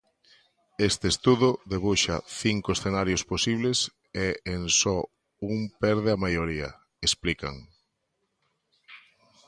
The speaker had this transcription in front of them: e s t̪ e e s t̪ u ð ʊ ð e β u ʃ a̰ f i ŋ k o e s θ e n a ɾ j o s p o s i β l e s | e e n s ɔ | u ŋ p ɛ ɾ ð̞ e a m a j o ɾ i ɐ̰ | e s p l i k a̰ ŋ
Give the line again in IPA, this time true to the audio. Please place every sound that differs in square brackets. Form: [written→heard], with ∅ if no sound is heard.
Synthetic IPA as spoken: e s t̪ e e s t̪ u ð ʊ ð e β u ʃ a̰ [f→θ] i ŋ k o e s θ e n a ɾ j o s p o s i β l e s | e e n s ɔ | u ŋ p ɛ ɾ ð̞ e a m a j o ɾ i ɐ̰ | e s p l i k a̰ ŋ